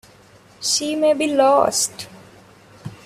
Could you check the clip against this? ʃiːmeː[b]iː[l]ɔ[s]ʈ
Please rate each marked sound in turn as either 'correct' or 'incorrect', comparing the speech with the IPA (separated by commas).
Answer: correct, correct, correct